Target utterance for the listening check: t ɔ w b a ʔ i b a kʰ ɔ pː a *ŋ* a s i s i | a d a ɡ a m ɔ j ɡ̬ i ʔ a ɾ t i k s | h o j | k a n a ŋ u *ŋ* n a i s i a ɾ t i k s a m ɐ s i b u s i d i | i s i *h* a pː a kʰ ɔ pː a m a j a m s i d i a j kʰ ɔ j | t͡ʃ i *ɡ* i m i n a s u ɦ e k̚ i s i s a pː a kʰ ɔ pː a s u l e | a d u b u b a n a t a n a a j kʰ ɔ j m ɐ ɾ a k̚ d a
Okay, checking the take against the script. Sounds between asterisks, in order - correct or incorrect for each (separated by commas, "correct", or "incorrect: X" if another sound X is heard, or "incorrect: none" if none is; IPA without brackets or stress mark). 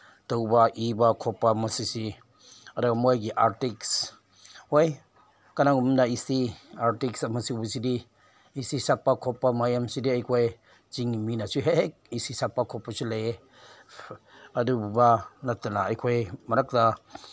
incorrect: m, incorrect: m, incorrect: s, incorrect: ŋ